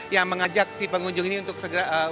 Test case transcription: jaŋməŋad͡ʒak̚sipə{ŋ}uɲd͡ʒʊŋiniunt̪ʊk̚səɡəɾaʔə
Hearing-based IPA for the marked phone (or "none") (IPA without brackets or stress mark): ŋ